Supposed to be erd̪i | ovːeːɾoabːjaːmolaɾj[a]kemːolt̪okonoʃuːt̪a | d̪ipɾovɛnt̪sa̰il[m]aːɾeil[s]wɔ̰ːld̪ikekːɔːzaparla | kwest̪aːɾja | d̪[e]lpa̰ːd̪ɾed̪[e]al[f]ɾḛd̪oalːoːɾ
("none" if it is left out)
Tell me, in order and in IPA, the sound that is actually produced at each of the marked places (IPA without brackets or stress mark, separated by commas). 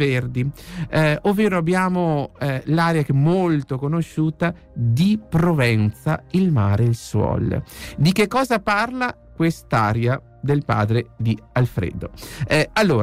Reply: a, m, s, e, i, f